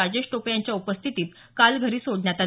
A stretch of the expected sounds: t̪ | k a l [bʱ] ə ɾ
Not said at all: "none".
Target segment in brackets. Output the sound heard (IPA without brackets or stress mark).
ɡʱ